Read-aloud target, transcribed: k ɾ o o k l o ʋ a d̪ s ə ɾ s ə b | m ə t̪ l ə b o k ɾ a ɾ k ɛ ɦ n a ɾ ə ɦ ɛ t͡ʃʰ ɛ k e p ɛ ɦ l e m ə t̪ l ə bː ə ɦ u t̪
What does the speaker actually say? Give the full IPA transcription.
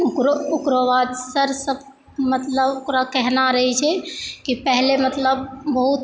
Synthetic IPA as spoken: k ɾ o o k ɾ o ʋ a d̪ s ə ɾ s ə b | m ə t̪ l ə b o k ɾ a k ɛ ɦ n a ɾ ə ɦ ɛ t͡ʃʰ ɛ k i p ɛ ɦ l e m ə t̪ l ə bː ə ɦ u t̪